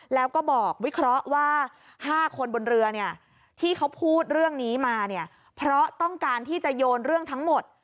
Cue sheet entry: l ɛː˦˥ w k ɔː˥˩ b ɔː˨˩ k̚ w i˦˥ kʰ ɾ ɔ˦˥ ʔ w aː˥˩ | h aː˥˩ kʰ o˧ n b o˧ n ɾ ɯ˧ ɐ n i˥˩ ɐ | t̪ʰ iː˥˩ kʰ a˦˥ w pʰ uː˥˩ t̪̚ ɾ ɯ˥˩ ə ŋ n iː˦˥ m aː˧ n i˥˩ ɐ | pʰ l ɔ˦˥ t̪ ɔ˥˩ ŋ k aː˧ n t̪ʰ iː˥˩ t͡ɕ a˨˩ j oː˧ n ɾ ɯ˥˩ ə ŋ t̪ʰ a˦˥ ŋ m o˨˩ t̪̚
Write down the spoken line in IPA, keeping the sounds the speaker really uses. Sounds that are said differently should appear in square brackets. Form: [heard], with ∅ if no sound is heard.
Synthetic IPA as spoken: l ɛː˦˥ w k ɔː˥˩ b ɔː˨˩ k̚ w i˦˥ kʰ ɾ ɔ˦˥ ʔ w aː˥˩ | h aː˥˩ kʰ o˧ n b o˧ n ɾ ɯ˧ ɐ n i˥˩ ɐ | t̪ʰ iː˥˩ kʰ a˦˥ w pʰ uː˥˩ t̪̚ ɾ ɯ˥˩ ə ŋ n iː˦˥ m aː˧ n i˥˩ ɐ | pʰ [ɾ] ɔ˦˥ t̪ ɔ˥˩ ŋ k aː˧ n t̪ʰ iː˥˩ t͡ɕ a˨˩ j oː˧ n ɾ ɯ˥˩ ə ŋ t̪ʰ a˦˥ ŋ m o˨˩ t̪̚